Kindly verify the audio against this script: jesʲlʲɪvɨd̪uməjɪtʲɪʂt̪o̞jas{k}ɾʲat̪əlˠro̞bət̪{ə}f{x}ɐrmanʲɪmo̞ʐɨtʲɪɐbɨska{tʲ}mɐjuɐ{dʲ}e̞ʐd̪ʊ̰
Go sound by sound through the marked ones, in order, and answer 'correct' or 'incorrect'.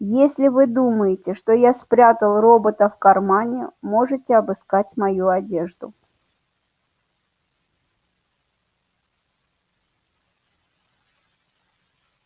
incorrect: p, correct, incorrect: k, correct, correct

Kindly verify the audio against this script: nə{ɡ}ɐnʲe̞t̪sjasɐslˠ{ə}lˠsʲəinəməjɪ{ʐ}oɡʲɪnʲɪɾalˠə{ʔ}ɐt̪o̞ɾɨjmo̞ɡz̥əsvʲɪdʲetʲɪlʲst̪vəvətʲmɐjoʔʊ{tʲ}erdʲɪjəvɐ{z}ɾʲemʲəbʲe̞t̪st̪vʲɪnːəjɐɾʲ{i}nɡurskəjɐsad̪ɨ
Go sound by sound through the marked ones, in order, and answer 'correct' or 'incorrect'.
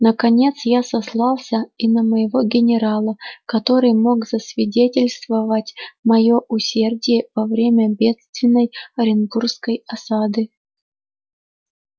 incorrect: k, incorrect: ɑ, incorrect: v, incorrect: k, incorrect: sʲ, incorrect: v, incorrect: ɪ

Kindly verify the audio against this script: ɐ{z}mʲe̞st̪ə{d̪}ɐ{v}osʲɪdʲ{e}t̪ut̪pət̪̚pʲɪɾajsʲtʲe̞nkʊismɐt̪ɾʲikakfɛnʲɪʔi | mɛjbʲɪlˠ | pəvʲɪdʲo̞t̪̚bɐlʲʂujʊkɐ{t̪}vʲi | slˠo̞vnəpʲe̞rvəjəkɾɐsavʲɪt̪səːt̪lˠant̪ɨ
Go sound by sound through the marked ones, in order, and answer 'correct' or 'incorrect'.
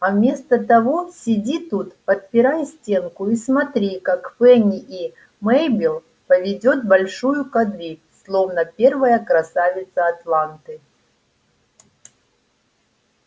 incorrect: v, incorrect: t̪, correct, incorrect: i, incorrect: d̪

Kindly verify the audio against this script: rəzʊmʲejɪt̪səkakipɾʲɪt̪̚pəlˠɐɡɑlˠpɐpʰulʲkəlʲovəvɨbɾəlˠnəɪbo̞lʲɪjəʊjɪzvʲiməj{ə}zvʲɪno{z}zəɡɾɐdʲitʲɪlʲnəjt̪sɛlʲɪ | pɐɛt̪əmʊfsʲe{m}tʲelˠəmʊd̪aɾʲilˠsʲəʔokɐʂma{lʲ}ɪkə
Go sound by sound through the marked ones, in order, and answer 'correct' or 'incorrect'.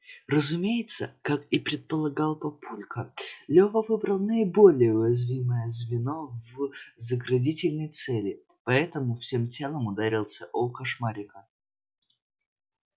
correct, incorrect: v, correct, incorrect: ɾʲ

